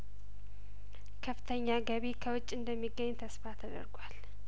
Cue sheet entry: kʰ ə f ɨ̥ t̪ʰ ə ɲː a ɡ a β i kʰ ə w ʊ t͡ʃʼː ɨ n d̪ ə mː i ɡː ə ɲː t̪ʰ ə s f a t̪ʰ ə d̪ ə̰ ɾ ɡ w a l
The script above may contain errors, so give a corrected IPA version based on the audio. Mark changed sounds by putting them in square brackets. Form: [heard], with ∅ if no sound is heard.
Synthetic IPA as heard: kʰ ə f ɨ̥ t̪ʰ ə ɲː a ɡ [ə] β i kʰ ə w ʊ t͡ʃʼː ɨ n d̪ ə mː i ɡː ə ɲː t̪ʰ ə s f a t̪ʰ ə d̪ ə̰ ɾ ɡ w a l